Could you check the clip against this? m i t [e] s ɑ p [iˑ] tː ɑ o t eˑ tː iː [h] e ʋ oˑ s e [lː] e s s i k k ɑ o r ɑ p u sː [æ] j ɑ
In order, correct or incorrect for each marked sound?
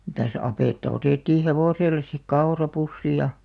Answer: incorrect, incorrect, correct, correct, incorrect

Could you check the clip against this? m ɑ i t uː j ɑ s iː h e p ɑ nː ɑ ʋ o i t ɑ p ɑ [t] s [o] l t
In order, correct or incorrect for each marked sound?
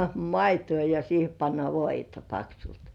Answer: incorrect, incorrect

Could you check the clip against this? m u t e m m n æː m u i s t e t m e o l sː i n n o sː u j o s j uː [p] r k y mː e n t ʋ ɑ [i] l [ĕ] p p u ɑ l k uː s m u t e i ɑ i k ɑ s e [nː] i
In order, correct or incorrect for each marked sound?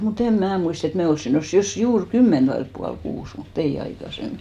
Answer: incorrect, correct, correct, incorrect

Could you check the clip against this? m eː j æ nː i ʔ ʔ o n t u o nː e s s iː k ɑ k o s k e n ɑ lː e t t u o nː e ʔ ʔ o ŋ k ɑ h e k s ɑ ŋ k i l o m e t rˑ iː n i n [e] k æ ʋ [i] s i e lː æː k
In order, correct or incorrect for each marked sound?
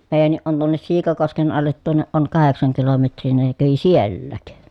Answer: correct, correct

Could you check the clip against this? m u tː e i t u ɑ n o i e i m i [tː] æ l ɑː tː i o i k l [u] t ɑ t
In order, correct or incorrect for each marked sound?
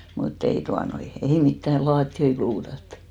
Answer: correct, incorrect

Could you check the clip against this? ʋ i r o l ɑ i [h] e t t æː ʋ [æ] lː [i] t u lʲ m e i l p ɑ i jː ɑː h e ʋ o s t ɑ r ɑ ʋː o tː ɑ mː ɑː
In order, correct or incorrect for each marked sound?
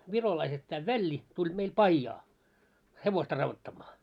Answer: incorrect, correct, correct

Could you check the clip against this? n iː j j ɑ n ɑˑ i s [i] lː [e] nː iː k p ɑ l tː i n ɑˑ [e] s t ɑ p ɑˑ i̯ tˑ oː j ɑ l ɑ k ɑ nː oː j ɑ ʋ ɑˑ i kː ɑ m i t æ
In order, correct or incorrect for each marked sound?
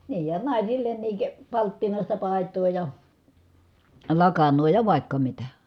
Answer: correct, correct, incorrect

